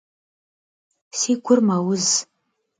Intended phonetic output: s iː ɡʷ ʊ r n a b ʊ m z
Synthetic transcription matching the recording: s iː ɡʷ ʊ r m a w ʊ z